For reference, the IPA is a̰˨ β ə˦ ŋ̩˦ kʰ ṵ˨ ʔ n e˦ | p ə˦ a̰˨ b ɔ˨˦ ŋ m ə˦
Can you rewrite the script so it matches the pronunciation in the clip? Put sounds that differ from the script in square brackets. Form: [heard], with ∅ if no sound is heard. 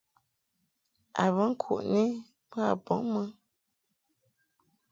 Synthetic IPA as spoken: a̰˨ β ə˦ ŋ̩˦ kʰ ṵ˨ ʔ n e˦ | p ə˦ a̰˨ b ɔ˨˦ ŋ m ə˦